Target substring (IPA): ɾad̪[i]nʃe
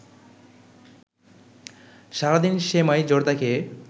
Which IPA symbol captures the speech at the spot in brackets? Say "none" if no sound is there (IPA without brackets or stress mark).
i